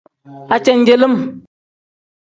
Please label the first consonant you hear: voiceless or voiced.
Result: voiceless